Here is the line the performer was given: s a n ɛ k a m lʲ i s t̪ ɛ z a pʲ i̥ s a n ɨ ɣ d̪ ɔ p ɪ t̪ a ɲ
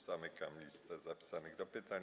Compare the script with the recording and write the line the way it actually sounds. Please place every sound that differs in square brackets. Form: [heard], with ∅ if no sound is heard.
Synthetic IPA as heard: s a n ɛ k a m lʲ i s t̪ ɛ z a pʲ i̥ s a n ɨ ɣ d̪ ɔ p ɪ t̪ a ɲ